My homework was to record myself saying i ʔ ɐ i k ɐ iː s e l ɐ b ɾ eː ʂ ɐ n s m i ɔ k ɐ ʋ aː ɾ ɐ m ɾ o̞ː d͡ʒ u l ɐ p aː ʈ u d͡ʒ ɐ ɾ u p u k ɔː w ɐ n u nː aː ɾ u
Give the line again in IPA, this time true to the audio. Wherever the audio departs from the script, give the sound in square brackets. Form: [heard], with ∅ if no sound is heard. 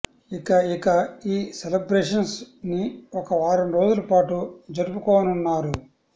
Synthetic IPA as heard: i [k] ɐ i k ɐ iː s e l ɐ b ɾ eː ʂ ɐ n s [n] i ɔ k ɐ ʋ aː ɾ ɐ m ɾ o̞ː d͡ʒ u l ɐ p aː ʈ u d͡ʒ ɐ ɾ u p u k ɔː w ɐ n u nː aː ɾ u